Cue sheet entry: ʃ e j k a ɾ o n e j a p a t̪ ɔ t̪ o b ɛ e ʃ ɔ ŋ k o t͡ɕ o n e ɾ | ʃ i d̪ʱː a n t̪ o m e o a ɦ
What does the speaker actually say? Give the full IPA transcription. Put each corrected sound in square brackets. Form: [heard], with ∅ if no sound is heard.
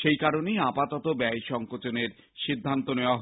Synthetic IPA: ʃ e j k a ɾ o n e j a p a t̪ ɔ t̪ o b ɛ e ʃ ɔ ŋ k o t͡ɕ o n e ɾ | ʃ i d̪ʱː a n t̪ o [n] e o a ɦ